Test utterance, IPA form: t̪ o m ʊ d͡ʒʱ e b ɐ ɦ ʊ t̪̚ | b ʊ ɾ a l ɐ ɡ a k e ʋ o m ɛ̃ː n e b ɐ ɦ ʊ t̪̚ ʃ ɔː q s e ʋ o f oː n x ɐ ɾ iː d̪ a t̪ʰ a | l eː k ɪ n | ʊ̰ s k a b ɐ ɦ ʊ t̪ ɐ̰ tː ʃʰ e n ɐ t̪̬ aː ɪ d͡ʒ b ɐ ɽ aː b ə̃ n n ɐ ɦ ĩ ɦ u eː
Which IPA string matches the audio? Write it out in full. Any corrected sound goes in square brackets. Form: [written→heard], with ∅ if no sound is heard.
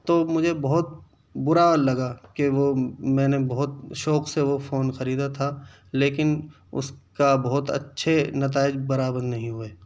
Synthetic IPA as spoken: t̪ o m ʊ d͡ʒʱ e b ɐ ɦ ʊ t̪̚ | b ʊ ɾ a l ɐ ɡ a k e ʋ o m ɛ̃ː n e b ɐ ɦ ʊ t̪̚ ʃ ɔː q s e ʋ o f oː n x ɐ ɾ iː d̪ a t̪ʰ a | l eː k ɪ n | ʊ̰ s k a b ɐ ɦ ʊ t̪ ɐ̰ tː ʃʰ e n ɐ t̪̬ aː ɪ d͡ʒ b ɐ [ɽ→ɾ] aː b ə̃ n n ɐ ɦ ĩ ɦ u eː